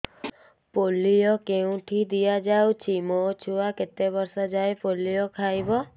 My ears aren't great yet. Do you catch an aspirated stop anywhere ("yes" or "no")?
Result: yes